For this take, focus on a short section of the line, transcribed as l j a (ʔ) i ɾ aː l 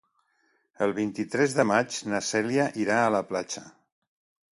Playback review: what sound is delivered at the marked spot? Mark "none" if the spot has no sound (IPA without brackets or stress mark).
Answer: ʔ